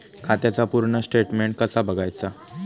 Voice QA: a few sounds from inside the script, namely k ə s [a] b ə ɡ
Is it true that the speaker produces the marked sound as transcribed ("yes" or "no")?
yes